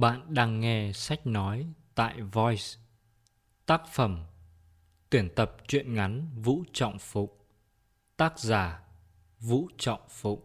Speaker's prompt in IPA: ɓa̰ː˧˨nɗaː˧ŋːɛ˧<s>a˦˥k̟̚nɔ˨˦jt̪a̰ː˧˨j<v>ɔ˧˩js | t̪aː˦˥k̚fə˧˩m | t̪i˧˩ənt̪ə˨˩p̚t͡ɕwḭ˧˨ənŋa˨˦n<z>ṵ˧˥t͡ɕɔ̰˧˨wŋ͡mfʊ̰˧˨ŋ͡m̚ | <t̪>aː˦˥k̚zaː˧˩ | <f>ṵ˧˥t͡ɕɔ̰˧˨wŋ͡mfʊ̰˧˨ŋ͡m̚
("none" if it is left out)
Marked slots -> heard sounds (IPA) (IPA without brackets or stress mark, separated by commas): s, v, v, t̪, v